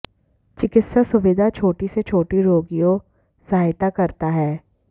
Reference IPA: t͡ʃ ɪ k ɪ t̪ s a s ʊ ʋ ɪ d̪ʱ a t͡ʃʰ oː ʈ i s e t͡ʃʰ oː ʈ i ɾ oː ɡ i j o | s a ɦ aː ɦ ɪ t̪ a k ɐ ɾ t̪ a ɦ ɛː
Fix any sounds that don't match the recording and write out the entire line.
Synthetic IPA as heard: t͡ʃ ɪ k ɪ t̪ s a s ʊ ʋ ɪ d̪ʱ a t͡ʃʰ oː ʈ i s e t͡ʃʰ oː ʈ i ɾ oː ɡ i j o | s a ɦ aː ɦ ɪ t̪ a k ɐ ɾ t̪ a ɦ ɛː